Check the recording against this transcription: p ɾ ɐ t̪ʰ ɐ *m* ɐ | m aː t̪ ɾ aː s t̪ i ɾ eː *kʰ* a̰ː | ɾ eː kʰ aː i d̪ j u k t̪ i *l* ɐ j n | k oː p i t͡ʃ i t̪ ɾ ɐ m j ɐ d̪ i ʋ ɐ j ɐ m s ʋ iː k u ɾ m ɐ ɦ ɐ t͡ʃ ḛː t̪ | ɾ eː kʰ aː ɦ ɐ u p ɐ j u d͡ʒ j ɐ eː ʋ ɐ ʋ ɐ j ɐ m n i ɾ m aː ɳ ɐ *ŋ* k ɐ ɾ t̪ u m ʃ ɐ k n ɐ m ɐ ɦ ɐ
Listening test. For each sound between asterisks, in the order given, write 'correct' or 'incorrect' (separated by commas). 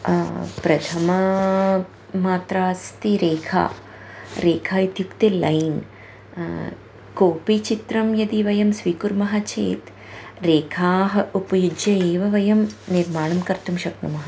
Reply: correct, correct, correct, incorrect